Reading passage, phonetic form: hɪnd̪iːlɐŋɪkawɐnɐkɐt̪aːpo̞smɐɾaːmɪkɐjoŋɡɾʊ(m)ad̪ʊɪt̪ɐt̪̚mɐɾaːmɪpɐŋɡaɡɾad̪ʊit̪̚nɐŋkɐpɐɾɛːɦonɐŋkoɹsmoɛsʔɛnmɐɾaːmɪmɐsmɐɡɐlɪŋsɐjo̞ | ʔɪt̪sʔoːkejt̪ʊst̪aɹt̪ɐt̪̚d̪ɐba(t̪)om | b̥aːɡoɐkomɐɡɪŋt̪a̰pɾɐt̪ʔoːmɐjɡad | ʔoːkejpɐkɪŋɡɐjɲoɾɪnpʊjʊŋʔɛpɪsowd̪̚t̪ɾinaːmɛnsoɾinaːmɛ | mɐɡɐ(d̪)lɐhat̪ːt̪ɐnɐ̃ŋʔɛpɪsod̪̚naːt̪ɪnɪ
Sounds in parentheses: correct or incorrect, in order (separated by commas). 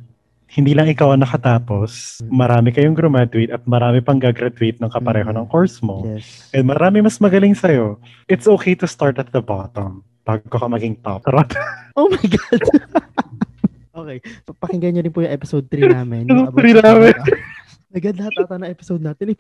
correct, correct, correct